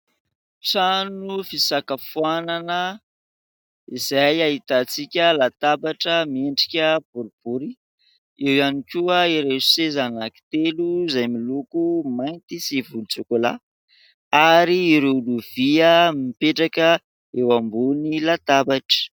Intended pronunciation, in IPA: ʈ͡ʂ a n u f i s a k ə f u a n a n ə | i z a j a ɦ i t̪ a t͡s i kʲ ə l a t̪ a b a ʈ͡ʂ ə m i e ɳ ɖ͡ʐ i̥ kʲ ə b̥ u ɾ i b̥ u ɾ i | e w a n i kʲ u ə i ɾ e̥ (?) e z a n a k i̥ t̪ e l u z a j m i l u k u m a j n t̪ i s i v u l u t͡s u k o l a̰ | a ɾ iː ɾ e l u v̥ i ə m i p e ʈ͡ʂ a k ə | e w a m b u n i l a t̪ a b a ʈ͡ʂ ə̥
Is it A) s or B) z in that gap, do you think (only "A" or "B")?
A